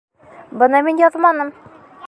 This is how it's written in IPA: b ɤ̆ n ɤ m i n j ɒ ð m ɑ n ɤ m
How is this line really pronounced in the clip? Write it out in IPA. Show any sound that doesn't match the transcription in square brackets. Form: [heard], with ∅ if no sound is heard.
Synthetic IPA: b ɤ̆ n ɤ m i n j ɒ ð m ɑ n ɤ m